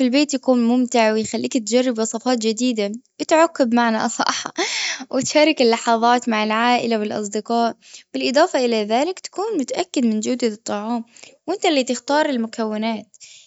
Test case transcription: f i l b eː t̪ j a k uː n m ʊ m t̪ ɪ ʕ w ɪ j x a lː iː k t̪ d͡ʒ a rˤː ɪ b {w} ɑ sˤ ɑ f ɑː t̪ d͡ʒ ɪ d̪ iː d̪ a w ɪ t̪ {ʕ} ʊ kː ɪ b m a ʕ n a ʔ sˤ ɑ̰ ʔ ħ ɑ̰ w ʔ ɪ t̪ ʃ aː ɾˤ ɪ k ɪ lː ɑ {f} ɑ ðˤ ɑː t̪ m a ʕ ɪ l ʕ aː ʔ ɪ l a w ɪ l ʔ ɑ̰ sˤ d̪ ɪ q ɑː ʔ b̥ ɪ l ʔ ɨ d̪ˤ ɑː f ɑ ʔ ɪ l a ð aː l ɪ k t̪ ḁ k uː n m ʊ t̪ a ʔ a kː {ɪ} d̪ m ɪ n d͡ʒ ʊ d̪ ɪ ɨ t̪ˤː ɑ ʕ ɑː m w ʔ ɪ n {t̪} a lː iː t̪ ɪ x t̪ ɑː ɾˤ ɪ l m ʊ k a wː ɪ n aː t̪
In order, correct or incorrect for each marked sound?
correct, correct, incorrect: ħ, correct, correct

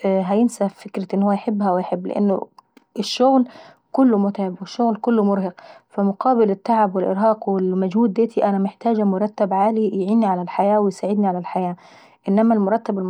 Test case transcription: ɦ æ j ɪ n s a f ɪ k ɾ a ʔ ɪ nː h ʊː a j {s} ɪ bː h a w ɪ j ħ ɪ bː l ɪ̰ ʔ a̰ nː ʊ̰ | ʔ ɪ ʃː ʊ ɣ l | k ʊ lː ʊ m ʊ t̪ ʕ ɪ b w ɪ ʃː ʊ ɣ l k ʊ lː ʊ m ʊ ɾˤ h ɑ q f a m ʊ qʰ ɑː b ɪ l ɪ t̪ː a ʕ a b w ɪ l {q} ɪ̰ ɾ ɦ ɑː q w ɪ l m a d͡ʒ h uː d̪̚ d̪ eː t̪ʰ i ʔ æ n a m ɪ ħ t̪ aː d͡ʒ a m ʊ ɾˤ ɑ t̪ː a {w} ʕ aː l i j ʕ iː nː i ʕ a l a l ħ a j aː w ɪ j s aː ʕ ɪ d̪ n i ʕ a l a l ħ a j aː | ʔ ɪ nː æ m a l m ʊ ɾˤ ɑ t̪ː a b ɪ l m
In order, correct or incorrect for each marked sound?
incorrect: ħ, incorrect: ʔ, incorrect: b

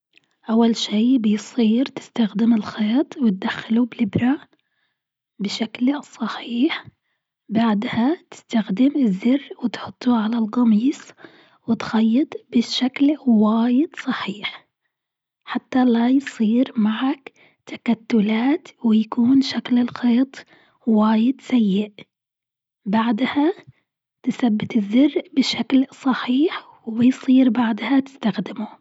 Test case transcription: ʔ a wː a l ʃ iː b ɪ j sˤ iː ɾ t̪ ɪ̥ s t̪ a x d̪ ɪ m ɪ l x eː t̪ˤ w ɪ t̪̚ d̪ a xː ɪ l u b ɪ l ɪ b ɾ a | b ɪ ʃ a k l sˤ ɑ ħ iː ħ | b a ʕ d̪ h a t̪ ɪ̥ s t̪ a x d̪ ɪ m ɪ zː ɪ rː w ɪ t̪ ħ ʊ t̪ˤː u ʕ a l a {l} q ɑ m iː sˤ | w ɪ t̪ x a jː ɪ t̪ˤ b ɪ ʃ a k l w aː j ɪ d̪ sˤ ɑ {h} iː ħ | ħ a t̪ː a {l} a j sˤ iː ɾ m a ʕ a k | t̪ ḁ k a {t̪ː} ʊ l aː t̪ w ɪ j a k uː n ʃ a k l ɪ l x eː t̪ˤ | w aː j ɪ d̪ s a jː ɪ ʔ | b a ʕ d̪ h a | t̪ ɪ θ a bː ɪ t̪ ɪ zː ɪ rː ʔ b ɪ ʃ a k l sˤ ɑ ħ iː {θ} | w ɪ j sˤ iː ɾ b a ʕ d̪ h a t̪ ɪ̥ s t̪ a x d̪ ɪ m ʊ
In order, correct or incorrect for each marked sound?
correct, incorrect: ħ, correct, correct, incorrect: ħ

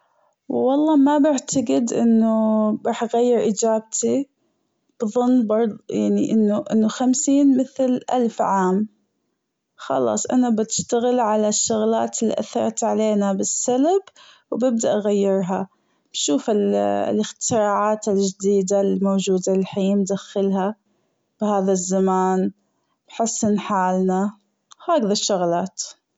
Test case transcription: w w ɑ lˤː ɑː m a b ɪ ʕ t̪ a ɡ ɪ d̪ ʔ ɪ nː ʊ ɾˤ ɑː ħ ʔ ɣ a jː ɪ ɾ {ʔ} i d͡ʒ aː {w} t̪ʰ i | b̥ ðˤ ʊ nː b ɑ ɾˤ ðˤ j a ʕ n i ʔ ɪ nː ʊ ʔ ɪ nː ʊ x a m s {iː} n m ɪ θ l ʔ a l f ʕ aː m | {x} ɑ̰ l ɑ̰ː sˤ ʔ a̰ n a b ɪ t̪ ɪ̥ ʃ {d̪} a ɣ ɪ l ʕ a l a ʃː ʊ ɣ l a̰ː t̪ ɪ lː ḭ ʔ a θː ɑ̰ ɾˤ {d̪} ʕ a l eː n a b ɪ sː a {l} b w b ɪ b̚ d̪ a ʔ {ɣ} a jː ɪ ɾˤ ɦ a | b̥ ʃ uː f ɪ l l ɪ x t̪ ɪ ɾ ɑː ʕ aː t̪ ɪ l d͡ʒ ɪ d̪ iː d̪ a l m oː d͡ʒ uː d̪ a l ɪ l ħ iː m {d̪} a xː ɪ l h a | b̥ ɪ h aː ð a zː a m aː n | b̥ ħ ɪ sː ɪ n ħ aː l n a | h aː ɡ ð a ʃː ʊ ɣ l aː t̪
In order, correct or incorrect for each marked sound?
correct, incorrect: b, correct, correct, incorrect: t̪, incorrect: t̪, correct, correct, correct

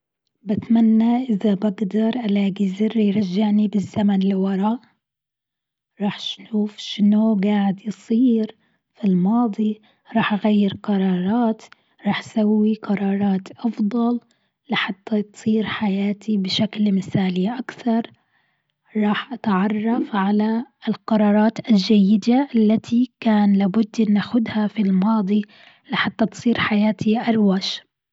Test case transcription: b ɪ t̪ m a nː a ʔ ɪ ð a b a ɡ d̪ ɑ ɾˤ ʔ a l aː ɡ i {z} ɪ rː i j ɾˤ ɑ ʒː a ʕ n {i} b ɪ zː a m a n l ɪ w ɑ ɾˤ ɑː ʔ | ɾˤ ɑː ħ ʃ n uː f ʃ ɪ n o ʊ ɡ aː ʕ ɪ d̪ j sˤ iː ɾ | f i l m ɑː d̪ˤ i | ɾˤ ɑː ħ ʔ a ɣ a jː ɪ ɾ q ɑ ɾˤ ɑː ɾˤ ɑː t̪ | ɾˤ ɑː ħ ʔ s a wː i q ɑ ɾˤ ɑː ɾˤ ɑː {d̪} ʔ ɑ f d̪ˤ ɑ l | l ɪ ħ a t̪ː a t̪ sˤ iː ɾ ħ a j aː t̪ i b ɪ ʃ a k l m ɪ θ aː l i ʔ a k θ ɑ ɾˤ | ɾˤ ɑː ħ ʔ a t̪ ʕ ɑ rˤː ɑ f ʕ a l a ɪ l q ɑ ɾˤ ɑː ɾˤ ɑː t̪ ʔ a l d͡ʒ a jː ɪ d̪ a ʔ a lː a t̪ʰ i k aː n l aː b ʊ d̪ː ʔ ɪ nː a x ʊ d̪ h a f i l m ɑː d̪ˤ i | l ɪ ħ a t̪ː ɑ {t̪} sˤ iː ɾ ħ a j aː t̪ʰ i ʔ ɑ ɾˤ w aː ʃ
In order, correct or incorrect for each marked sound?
correct, correct, incorrect: t̪, correct

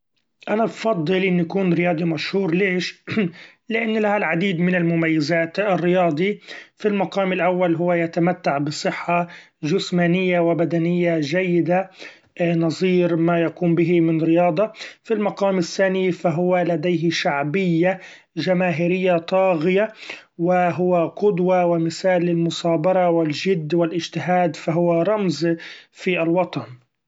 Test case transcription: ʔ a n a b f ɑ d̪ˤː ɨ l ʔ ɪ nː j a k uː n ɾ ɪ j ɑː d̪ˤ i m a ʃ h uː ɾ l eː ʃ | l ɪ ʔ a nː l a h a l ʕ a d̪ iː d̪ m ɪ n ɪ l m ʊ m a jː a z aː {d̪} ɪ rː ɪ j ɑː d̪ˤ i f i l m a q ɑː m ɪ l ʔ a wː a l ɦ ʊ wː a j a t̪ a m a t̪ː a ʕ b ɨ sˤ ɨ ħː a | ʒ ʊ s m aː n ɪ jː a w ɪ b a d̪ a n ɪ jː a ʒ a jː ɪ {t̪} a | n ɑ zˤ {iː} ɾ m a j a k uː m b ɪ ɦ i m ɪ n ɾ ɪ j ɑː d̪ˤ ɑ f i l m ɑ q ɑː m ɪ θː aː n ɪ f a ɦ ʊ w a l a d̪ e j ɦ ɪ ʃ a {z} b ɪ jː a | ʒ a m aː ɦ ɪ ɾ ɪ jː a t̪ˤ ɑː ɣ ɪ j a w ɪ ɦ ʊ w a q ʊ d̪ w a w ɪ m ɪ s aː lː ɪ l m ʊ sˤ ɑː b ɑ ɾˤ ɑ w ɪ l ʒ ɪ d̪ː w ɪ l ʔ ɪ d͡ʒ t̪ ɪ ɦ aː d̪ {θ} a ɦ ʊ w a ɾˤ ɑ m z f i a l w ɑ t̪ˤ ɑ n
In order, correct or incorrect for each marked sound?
incorrect: t̪, incorrect: d̪, correct, incorrect: ʕ, incorrect: f

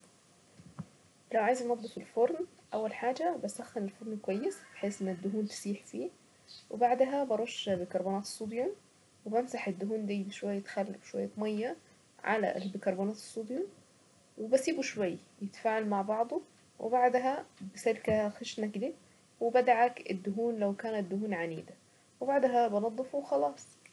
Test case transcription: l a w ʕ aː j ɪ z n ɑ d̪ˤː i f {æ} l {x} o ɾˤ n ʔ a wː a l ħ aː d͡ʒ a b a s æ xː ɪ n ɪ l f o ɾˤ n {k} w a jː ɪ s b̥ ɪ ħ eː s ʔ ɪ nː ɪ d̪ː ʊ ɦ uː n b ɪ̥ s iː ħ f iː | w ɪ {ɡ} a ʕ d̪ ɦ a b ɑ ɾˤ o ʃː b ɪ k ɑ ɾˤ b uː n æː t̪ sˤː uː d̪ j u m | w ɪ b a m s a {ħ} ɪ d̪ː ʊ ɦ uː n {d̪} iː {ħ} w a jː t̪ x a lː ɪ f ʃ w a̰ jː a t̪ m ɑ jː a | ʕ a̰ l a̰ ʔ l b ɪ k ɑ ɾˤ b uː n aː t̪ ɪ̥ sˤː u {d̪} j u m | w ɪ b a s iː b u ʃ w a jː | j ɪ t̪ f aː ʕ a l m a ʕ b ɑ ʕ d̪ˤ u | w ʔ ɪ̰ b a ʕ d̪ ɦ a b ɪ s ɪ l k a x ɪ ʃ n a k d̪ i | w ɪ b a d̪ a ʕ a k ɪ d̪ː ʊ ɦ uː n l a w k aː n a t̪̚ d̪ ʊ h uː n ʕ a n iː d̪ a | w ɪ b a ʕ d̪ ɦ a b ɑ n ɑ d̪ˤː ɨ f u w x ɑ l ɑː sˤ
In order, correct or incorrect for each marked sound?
incorrect: i, incorrect: f, correct, incorrect: b, correct, correct, incorrect: ʃ, correct

